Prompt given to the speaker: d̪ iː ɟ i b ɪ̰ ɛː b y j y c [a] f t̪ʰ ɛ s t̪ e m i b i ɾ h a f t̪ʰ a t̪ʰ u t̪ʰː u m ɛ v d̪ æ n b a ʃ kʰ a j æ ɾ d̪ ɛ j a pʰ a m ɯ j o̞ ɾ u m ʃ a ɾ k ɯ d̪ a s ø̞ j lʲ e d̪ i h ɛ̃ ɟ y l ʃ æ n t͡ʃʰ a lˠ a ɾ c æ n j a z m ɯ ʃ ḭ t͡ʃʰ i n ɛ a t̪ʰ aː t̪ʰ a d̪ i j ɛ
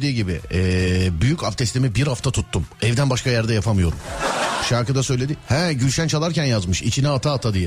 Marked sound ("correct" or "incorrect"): correct